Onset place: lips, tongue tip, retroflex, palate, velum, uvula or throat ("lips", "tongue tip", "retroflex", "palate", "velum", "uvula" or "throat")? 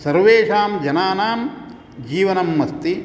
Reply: tongue tip